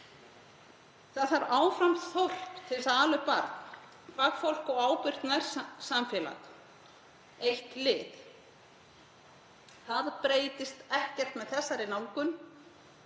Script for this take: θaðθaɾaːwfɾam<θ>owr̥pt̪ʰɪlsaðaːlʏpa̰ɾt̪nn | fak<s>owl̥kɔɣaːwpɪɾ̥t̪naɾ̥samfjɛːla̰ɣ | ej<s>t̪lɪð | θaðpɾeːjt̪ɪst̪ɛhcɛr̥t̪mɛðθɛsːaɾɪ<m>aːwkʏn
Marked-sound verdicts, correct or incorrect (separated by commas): correct, incorrect, incorrect, incorrect